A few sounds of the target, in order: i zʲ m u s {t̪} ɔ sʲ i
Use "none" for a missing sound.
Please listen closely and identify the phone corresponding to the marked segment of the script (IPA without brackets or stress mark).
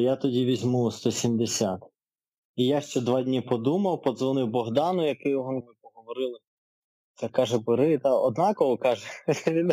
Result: t̪